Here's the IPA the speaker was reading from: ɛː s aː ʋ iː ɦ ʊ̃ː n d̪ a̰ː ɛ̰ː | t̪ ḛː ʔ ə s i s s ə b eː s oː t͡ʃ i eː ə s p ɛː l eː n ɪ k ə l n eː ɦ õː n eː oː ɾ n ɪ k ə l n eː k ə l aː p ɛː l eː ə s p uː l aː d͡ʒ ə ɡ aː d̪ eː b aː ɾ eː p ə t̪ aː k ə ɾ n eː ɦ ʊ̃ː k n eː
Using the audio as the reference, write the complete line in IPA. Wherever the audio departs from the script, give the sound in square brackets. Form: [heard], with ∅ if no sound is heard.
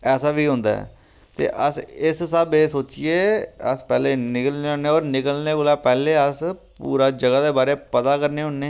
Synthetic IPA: ɛː s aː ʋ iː ɦ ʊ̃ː n d̪ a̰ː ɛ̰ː | t̪ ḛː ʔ ə s [ɪ] s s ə b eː s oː t͡ʃ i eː ə s p ɛː l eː n ɪ k ə l n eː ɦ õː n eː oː ɾ n ɪ k ə l n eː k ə l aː p ɛː l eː ə s p uː [ɾ] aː d͡ʒ ə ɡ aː d̪ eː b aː ɾ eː p ə t̪ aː k ə ɾ n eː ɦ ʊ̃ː [∅] n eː

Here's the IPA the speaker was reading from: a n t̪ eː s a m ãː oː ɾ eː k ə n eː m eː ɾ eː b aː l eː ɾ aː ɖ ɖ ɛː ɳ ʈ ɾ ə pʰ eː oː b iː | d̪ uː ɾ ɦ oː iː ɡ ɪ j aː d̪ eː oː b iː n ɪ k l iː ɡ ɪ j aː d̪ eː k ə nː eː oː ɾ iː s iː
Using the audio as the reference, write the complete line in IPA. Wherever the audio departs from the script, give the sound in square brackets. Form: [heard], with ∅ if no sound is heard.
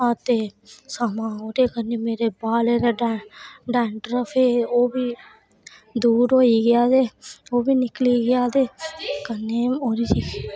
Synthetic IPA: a [∅] t̪ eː s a m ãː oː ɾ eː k ə n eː m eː ɾ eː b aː l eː ɾ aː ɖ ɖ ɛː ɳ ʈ ɾ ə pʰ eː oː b iː | d̪ uː ɾ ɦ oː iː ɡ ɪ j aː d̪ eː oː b iː n ɪ k l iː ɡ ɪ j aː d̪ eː k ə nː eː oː ɾ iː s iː

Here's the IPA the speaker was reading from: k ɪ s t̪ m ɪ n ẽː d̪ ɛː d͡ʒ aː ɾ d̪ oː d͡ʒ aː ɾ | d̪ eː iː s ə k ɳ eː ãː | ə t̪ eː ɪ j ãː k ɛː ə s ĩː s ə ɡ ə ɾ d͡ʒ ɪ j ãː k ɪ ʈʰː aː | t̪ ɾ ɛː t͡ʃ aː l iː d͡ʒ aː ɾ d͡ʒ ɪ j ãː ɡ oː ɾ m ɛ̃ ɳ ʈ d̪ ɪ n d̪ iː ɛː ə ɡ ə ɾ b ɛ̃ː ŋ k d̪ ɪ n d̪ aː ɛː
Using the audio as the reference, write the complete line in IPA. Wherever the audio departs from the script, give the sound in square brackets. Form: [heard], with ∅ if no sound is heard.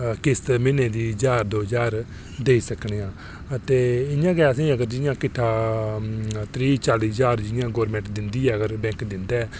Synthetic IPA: k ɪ s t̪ m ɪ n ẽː d̪ [iː] d͡ʒ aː ɾ d̪ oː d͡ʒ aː ɾ | d̪ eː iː s ə k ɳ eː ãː | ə t̪ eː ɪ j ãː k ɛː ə s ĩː [∅] ə ɡ ə ɾ d͡ʒ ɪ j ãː k ɪ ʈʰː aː | t̪ ɾ [iː] t͡ʃ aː l iː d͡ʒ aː ɾ d͡ʒ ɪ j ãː ɡ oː ɾ m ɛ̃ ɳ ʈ d̪ ɪ n d̪ iː ɛː ə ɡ ə ɾ b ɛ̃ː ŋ k d̪ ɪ n d̪ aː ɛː

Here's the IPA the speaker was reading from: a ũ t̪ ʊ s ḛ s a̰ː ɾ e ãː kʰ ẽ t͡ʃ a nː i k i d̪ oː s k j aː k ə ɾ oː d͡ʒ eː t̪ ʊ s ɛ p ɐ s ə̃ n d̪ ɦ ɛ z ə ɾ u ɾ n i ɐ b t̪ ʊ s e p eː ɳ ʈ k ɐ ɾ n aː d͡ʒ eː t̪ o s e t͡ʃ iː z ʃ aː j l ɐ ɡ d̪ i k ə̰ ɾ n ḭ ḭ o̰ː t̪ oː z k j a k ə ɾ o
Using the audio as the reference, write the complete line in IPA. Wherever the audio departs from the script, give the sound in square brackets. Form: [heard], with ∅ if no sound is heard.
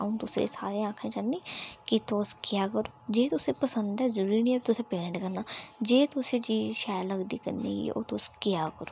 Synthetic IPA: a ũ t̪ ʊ s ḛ s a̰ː ɾ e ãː kʰ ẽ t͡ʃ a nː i k i [t̪] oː s k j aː k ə ɾ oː d͡ʒ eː t̪ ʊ s [e] p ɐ s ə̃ n d̪ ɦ ɛ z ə ɾ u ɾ n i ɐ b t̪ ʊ s e p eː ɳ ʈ k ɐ ɾ n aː d͡ʒ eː t̪ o s e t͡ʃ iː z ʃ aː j l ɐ ɡ d̪ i k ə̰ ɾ n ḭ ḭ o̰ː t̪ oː [s] k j a k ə ɾ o

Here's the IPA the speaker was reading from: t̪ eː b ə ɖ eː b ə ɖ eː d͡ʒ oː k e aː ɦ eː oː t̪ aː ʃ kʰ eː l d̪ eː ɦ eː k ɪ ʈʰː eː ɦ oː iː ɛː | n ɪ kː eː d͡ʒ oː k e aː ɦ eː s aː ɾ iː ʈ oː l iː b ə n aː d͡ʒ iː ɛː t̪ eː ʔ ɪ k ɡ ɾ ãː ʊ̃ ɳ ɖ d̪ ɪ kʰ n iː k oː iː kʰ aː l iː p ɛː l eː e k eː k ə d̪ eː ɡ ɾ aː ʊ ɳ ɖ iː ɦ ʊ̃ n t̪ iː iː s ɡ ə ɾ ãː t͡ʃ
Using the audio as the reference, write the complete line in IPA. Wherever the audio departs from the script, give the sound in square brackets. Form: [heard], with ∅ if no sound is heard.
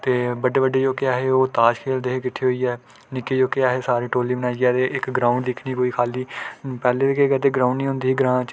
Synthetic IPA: t̪ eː b ə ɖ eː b ə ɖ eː d͡ʒ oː k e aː ɦ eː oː t̪ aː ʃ kʰ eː l d̪ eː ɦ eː k ɪ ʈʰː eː ɦ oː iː ɛː | n ɪ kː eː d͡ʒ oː k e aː ɦ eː s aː ɾ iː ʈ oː l iː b ə n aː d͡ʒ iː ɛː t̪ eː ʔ ɪ k ɡ ɾ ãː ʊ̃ ɳ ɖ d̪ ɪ kʰ n iː k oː iː kʰ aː l iː p ɛː l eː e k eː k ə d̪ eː ɡ ɾ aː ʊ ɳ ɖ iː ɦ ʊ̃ n [d̪] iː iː [∅] ɡ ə ɾ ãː t͡ʃ

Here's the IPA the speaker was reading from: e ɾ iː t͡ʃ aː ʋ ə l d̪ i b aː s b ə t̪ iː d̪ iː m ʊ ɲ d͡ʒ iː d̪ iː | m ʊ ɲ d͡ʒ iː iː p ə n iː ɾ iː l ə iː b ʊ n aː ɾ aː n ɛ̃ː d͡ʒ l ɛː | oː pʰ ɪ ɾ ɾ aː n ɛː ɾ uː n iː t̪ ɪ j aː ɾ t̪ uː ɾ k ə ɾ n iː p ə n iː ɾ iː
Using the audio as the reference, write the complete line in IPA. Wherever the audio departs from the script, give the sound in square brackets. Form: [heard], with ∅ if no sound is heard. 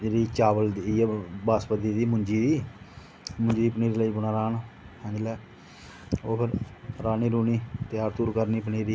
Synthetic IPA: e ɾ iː t͡ʃ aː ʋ ə l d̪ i b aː s [p] ə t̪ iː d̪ iː m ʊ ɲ d͡ʒ iː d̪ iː | m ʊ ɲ d͡ʒ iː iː p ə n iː ɾ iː l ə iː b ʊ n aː ɾ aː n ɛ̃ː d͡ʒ l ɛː | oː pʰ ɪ ɾ ɾ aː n [iː] ɾ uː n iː t̪ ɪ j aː ɾ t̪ uː ɾ k ə ɾ n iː p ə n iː ɾ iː

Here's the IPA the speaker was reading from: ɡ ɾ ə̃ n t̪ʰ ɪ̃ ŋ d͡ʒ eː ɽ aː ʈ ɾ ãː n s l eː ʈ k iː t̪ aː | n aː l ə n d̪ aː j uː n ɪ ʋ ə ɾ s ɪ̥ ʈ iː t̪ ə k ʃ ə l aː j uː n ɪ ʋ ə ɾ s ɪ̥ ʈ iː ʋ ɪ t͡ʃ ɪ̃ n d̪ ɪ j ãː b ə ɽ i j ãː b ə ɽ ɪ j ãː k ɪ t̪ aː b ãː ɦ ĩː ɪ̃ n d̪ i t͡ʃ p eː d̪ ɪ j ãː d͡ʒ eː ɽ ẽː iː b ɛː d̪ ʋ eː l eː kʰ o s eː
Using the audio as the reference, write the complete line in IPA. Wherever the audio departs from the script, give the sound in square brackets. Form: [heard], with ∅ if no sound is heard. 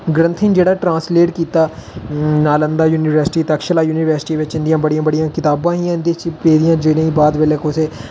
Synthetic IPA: ɡ ɾ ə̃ n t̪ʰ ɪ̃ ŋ d͡ʒ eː ɽ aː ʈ ɾ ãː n s l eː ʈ k iː t̪ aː | n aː l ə n d̪ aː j uː n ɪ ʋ ə ɾ s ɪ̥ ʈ iː t̪ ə k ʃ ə l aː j uː n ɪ ʋ ə ɾ s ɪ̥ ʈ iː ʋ ɪ t͡ʃ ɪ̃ n d̪ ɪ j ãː b ə ɽ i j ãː b ə ɽ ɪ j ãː k ɪ t̪ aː b ãː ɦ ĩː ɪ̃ n d̪ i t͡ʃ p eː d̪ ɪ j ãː d͡ʒ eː ɽ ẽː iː b [aː] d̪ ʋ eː l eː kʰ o s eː

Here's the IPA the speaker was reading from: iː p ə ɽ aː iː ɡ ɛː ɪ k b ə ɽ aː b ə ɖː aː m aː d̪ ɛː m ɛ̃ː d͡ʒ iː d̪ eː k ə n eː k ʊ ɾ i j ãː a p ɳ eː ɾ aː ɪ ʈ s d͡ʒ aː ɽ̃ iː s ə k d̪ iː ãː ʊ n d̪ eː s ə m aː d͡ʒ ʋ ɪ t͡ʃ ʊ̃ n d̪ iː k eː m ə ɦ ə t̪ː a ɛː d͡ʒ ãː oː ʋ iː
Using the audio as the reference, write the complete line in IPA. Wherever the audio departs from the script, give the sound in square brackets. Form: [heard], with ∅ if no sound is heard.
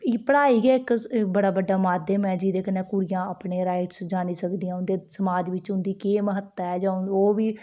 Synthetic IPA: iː p ə ɽ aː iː ɡ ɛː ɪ k b ə ɽ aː b ə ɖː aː m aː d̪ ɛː m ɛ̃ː d͡ʒ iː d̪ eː k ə n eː k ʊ ɾ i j ãː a p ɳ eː ɾ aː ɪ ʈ s d͡ʒ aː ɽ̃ iː s ə k d̪ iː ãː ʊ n d̪ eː s ə m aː d͡ʒ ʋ ɪ t͡ʃ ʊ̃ n d̪ iː k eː m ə ɦ ə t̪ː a ɛː d͡ʒ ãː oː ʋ iː

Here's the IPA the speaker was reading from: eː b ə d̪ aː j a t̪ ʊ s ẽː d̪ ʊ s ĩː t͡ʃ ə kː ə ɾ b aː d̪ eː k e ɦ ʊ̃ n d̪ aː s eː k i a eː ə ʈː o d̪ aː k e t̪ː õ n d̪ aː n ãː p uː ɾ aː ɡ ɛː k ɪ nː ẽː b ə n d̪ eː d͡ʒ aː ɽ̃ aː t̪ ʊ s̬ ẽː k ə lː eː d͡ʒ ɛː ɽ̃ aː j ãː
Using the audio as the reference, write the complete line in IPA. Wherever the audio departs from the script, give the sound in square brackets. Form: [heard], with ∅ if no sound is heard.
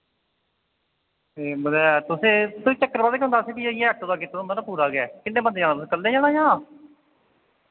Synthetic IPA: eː b ə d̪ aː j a t̪ ʊ s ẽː [t̪] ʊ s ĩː t͡ʃ ə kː ə ɾ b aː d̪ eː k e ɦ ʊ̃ n d̪ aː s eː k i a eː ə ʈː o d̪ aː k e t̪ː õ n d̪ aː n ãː p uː ɾ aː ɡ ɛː k ɪ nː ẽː b ə n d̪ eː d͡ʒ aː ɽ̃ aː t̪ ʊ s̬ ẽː k ə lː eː d͡ʒ [aː] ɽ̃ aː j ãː

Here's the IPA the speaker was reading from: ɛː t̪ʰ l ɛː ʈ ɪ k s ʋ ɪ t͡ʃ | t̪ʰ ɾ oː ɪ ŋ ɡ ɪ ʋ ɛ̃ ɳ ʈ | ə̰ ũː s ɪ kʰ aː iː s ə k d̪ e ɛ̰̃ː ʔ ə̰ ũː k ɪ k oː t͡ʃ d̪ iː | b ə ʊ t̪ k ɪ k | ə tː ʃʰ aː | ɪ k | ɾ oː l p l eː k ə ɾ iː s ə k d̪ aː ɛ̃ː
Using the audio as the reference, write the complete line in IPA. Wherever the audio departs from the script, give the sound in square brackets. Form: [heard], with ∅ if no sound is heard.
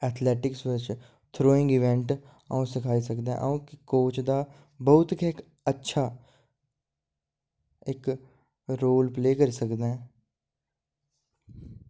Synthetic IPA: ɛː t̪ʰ l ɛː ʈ ɪ k s ʋ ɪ t͡ʃ | t̪ʰ ɾ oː ɪ ŋ ɡ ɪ ʋ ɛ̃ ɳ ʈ | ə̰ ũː s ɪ kʰ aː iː s ə k d̪ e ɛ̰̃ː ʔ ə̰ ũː k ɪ k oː t͡ʃ d̪ [aː] | b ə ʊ t̪ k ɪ k | ə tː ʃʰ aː | ɪ k | ɾ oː l p l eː k ə ɾ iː s ə k d̪ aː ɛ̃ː

